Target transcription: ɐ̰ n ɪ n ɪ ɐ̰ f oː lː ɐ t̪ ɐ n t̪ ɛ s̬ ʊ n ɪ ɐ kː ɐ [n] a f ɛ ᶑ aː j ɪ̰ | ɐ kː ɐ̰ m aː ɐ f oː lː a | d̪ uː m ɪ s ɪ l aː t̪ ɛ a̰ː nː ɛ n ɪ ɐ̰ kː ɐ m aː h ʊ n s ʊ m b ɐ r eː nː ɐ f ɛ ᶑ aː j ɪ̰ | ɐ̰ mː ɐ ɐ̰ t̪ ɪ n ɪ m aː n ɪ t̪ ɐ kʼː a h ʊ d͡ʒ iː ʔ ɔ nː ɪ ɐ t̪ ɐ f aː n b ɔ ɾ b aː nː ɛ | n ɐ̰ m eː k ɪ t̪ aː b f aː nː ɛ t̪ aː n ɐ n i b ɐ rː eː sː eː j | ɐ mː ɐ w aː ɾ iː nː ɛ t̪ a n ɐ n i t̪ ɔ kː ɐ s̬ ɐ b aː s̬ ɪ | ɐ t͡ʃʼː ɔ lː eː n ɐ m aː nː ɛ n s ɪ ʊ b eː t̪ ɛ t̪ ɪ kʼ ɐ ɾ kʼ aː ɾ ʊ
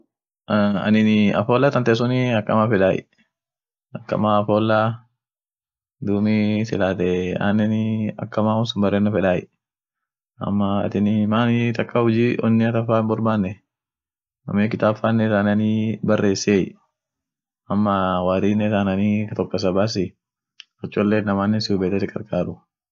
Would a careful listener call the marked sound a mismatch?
yes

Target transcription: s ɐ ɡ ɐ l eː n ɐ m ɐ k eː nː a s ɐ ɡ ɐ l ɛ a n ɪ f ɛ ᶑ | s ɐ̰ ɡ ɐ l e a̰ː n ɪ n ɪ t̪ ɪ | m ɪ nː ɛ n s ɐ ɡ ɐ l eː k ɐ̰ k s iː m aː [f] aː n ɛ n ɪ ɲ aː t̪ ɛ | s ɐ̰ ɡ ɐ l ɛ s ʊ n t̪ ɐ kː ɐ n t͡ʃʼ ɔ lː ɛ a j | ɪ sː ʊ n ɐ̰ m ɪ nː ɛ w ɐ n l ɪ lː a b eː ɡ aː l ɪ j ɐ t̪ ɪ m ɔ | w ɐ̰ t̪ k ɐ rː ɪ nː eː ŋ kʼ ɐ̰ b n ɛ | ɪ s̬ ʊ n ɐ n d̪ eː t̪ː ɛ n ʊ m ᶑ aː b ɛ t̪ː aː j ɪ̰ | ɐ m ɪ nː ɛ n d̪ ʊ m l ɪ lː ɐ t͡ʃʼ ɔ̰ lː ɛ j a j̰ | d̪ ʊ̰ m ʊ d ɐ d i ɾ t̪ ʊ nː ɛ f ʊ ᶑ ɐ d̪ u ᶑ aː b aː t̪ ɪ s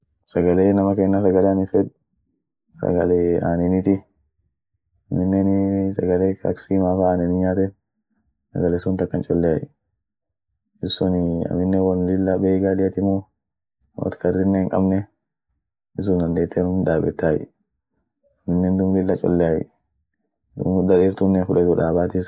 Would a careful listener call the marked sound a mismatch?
no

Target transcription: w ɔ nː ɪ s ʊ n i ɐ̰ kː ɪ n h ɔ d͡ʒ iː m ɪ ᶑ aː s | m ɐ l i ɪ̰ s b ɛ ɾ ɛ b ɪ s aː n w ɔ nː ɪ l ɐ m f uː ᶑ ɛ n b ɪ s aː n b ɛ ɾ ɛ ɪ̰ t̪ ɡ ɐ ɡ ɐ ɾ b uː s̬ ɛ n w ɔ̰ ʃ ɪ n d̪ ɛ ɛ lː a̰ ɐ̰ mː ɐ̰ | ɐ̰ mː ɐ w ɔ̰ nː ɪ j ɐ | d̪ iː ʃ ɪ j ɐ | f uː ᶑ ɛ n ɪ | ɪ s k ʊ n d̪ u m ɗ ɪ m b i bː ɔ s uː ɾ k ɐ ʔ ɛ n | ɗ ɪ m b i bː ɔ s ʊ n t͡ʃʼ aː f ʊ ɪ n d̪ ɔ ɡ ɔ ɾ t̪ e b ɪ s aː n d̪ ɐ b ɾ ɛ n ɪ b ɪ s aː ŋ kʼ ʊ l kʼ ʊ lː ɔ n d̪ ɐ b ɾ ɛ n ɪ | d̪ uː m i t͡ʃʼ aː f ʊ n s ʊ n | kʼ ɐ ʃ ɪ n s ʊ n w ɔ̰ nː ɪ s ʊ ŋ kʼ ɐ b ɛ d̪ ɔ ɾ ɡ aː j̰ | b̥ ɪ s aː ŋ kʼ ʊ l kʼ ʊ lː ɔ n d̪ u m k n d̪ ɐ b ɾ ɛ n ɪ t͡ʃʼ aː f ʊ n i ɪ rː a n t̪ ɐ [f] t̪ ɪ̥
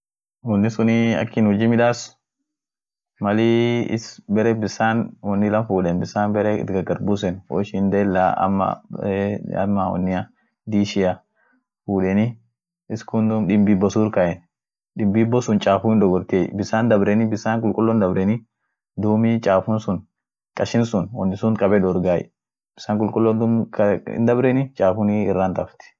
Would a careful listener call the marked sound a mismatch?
no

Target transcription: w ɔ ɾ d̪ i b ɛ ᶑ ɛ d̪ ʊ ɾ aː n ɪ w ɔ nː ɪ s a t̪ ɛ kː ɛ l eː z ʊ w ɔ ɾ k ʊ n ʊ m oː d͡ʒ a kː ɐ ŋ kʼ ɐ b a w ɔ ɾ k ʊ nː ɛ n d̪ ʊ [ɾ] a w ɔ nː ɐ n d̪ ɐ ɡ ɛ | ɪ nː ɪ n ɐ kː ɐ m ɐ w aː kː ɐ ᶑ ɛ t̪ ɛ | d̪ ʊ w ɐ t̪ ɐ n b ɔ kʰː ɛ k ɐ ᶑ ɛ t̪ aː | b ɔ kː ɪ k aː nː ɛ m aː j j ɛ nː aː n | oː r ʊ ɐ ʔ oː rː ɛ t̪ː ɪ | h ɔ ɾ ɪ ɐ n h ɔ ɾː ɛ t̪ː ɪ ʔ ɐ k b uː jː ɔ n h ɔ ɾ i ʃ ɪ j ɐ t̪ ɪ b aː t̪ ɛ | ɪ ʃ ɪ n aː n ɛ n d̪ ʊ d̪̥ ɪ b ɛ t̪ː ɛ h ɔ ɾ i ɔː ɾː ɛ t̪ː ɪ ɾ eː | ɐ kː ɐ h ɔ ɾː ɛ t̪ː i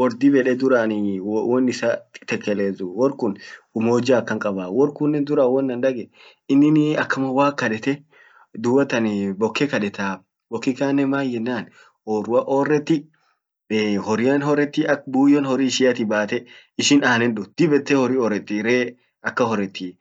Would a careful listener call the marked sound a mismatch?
no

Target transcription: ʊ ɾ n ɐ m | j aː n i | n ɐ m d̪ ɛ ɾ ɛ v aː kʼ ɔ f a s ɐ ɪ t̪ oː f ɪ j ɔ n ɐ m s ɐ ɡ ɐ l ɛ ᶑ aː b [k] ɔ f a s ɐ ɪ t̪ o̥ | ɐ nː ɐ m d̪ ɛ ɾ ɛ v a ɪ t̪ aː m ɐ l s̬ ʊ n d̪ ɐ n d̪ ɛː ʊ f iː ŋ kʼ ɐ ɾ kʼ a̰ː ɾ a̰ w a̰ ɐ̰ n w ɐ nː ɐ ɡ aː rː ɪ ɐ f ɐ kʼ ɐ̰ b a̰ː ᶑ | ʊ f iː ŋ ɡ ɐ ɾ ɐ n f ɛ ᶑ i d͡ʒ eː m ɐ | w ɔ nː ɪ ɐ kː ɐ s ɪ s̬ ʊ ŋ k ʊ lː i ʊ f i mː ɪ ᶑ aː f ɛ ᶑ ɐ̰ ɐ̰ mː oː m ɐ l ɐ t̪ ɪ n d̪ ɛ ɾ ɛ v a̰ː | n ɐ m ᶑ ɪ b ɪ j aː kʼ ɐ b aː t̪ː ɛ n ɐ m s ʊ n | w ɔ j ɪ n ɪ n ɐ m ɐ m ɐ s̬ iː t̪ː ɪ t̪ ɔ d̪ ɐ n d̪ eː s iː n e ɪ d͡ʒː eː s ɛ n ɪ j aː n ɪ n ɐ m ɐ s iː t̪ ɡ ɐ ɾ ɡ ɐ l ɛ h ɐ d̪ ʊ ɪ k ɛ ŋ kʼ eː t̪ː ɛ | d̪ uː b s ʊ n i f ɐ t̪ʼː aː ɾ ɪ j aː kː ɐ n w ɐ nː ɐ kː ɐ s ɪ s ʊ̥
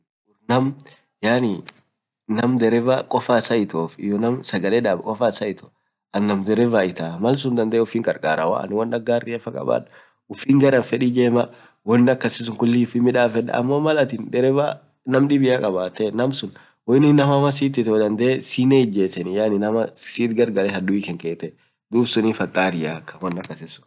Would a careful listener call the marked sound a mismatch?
yes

